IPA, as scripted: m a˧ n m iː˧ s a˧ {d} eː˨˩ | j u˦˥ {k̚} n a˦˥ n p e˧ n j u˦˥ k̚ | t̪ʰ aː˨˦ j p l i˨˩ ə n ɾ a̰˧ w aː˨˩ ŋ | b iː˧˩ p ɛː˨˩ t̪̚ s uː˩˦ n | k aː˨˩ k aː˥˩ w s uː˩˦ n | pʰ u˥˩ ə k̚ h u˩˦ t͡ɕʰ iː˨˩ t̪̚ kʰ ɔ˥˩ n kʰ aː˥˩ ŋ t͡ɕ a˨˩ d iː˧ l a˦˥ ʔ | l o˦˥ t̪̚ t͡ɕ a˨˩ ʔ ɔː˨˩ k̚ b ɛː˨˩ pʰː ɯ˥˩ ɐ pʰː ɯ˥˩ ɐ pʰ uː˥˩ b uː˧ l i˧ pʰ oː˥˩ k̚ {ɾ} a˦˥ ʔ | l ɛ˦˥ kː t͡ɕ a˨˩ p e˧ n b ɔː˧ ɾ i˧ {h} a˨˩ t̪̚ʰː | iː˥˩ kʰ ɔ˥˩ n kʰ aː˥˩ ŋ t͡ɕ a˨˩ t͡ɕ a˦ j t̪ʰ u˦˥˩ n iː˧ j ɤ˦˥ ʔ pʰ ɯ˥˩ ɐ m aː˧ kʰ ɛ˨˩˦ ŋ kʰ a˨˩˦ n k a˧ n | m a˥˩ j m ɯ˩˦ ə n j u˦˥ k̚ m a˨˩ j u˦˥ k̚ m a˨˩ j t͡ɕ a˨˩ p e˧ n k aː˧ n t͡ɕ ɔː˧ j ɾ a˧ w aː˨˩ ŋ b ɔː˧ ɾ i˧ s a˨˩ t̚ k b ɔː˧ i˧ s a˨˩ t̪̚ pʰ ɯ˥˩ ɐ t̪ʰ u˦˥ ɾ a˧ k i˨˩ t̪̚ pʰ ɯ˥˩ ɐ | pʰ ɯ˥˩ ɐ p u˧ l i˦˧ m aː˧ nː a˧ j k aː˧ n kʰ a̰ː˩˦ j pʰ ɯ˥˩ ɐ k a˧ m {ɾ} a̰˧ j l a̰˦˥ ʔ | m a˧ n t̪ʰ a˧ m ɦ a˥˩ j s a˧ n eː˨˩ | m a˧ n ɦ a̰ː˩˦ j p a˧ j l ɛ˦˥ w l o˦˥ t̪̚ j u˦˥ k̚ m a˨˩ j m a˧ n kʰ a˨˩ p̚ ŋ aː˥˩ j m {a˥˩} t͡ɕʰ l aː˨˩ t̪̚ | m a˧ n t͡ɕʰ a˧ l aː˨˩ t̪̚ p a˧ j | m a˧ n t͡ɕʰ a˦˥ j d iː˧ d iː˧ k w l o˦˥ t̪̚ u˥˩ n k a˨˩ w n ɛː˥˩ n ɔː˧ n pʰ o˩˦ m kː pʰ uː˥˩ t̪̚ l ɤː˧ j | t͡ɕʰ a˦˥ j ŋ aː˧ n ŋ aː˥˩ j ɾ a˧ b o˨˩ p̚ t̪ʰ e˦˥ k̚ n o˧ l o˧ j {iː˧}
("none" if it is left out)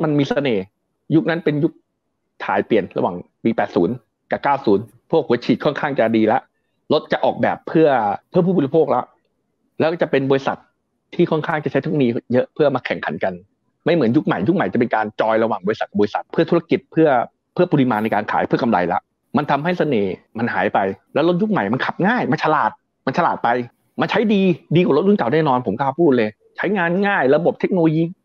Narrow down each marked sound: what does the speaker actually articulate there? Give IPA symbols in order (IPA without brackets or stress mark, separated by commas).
n, k̚, l, s, l, a˧, iː˧